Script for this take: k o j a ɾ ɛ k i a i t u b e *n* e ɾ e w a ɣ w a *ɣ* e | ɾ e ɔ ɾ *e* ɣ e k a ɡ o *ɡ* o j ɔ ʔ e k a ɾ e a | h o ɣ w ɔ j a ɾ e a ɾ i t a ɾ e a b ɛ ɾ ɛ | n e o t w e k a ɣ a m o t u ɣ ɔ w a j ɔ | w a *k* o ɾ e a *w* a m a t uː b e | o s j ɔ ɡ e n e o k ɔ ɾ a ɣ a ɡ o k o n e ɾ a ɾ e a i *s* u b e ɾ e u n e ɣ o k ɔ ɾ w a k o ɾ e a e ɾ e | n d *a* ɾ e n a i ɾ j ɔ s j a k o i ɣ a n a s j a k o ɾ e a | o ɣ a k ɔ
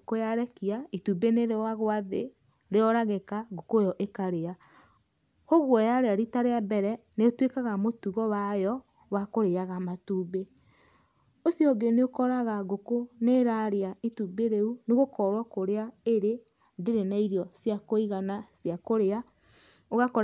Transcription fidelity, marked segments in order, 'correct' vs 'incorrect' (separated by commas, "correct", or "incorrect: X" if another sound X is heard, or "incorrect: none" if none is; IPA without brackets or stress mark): correct, incorrect: ð, incorrect: a, incorrect: k, correct, incorrect: ɣ, incorrect: t, incorrect: e